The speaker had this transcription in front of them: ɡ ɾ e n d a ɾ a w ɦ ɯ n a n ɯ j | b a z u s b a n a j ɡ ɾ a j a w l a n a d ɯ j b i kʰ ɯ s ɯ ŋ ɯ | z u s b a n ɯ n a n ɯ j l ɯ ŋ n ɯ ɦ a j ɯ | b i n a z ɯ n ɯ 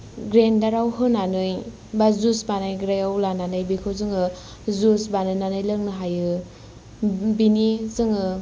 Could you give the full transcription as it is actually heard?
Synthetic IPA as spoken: ɡ ɾ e n d a ɾ a w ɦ ɯ n a n ɯ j | b a z u s b a n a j ɡ ɾ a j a w l a n a n ɯ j b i kʰ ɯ z ɯ ŋ ɯ | z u s b a n ɯ n a n ɯ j l ɯ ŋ n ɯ ɦ a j ɯ | b i n i z ɯ ŋ ɯ